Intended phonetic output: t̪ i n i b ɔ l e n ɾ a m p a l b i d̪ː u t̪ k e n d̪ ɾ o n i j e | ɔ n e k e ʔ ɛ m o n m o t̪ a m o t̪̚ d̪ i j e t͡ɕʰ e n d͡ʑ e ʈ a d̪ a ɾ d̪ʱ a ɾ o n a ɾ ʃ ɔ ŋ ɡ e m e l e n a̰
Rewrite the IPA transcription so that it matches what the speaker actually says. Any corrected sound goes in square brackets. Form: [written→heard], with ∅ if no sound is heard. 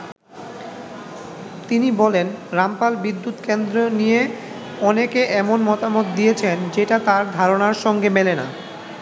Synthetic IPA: t̪ i n i b ɔ l e n ɾ a m p a l b i d̪ː u t̪ k e n d̪ ɾ o n i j e | ɔ n e k e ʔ ɛ m o n m [o→ɔ] t̪ a m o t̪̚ d̪ i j e t͡ɕʰ e n d͡ʑ e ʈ a [d̪→t̪] a ɾ d̪ʱ a ɾ o n a ɾ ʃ ɔ ŋ ɡ e m e l e n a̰